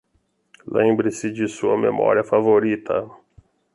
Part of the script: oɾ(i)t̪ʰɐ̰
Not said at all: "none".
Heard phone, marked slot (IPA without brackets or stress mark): i